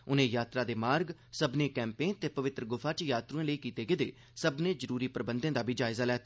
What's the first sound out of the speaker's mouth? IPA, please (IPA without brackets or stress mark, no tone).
ʊ